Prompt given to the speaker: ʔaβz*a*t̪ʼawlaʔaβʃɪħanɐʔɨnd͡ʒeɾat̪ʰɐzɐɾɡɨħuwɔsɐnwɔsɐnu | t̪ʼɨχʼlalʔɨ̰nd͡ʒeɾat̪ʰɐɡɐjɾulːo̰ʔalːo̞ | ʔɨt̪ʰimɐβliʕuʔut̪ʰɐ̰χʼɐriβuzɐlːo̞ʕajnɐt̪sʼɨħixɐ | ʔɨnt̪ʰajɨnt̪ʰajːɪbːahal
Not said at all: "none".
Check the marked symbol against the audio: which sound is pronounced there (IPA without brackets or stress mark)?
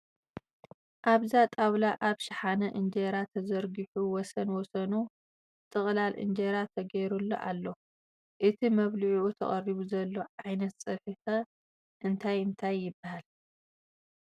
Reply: a